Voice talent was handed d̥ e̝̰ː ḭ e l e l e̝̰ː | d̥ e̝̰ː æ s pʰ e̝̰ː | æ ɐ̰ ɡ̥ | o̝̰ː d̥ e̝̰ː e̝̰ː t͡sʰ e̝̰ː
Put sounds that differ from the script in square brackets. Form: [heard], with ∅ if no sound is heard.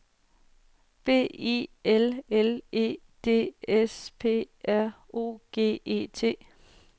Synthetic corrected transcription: [b̥] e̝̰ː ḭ e l e l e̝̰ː | d̥ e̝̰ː [e] s pʰ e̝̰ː | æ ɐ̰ [∅] | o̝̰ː [ɡ̥] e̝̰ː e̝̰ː t͡sʰ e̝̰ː